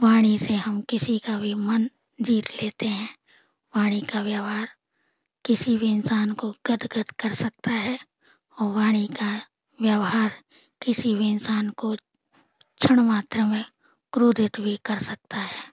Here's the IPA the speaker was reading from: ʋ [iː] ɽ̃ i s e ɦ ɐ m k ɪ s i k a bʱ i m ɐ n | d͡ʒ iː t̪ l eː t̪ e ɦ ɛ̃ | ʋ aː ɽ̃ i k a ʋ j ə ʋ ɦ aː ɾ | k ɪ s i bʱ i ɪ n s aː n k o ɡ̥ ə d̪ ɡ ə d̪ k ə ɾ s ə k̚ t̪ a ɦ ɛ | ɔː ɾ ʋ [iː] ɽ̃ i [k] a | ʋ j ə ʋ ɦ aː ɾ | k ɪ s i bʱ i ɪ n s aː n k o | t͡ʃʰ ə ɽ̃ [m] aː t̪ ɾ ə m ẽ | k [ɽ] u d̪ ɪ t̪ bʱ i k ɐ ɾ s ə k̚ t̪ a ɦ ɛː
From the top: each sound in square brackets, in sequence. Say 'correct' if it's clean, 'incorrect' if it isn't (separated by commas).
incorrect, incorrect, correct, correct, incorrect